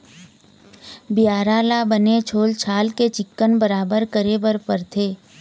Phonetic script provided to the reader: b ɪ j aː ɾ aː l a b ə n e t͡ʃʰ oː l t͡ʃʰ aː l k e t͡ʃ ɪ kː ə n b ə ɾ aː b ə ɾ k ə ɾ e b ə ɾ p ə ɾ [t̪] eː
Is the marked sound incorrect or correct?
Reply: incorrect